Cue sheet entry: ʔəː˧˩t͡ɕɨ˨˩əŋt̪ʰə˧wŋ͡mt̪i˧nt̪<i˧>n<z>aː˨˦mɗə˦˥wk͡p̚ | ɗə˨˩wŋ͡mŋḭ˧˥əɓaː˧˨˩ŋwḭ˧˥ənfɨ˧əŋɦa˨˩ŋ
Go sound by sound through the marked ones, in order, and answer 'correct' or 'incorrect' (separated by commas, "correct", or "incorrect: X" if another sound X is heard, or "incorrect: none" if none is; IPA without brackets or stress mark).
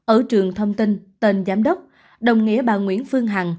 incorrect: e˧, correct